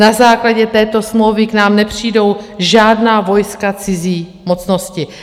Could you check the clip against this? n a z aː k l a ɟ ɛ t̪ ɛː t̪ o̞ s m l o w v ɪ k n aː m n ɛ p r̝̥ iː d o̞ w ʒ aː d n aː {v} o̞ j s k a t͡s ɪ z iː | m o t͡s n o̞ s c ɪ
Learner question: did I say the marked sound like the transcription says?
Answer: yes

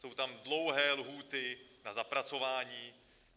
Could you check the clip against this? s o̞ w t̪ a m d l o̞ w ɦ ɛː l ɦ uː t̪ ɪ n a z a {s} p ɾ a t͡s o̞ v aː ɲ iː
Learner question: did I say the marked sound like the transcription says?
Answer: no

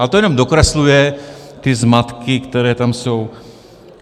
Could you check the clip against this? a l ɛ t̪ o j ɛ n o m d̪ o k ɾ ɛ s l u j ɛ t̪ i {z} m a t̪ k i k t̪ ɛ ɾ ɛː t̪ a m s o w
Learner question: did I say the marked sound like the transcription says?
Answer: yes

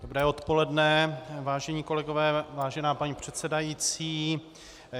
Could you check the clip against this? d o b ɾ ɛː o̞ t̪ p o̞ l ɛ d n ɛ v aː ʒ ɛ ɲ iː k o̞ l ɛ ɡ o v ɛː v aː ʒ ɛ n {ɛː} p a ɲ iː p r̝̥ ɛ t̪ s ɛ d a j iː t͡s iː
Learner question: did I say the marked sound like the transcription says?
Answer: no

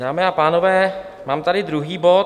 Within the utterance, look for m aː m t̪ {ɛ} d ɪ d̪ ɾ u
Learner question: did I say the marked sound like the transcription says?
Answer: no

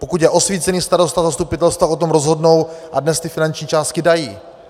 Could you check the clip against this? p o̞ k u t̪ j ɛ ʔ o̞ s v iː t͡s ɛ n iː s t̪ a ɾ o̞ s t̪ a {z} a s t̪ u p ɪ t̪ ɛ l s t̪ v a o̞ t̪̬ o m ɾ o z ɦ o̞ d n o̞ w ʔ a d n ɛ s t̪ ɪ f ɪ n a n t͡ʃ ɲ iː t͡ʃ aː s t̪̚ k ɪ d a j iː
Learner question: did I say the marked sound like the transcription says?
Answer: yes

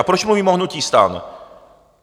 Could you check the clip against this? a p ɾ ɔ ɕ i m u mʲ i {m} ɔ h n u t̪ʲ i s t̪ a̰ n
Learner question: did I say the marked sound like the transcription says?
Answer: yes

